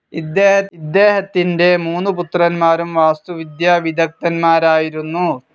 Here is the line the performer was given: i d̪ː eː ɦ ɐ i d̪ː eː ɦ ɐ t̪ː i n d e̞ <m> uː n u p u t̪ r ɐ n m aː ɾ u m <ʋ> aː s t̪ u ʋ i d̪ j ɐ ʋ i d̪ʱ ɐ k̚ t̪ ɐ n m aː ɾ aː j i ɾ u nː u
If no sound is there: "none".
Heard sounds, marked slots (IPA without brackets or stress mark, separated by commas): m, ʋ